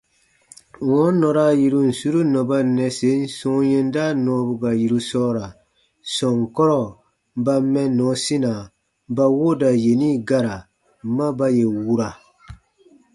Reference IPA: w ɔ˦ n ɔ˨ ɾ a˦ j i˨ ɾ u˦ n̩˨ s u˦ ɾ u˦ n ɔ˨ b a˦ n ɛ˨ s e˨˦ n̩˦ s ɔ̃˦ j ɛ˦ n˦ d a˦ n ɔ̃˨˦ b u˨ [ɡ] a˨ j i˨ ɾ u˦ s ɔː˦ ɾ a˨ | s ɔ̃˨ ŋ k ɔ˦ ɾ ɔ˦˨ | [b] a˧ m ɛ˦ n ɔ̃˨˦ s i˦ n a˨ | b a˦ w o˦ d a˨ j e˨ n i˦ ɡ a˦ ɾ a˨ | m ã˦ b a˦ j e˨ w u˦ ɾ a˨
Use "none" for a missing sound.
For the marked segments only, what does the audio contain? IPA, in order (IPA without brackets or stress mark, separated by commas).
ɡ, b